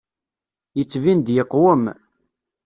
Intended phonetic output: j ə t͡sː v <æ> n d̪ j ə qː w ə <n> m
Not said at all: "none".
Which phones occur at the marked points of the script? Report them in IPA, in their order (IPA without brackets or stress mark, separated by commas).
i, none